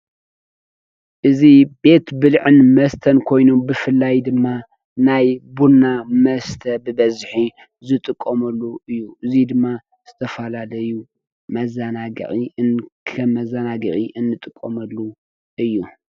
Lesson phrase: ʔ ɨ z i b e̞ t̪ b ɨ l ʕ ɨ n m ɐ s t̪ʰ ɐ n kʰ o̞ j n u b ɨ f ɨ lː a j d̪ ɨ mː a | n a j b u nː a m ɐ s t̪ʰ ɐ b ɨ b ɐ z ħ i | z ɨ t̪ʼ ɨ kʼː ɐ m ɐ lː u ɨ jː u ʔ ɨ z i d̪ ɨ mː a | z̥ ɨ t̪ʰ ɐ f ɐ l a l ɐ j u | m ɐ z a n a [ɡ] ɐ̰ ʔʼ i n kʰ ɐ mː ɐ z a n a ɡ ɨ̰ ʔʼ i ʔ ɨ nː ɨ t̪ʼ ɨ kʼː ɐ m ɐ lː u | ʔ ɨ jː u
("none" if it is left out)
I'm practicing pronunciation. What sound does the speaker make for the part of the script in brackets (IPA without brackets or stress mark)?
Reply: ɡ